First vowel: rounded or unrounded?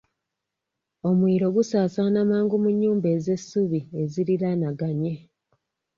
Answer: rounded